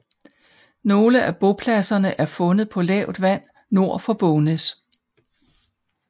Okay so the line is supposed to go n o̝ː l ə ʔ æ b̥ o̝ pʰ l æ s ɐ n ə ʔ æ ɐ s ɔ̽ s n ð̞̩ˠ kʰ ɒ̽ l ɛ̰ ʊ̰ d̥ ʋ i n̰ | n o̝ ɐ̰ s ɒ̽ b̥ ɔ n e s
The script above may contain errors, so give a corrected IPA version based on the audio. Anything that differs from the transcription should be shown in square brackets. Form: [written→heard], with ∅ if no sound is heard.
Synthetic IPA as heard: n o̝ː l ə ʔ æ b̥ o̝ pʰ l æ s ɐ n ə ʔ æ ɐ [s→f] ɔ̽ [s→∅] n ð̞̩ˠ [kʰ→pʰ] ɒ̽ l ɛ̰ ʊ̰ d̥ ʋ [i→æ] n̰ | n o̝ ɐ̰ [s→f] ɒ̽ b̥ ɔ n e s